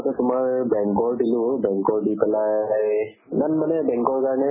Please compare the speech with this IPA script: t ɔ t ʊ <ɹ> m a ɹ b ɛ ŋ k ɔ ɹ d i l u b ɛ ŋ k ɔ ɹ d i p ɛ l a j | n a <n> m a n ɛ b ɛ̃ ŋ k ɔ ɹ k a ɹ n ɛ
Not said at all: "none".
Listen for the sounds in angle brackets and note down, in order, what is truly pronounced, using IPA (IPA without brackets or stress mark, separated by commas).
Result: none, n